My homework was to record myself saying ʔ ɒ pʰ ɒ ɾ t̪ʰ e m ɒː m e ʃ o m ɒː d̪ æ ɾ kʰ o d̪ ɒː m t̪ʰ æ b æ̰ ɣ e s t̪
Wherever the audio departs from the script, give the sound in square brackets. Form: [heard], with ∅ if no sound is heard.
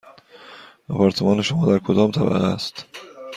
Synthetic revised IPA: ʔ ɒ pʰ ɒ ɾ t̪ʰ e m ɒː [n] e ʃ o m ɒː d̪ æ ɾ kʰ o d̪ ɒː m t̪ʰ æ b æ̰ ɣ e s t̪